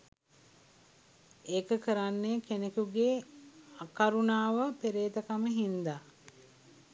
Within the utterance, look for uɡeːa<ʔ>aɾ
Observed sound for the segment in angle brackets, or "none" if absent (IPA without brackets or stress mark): k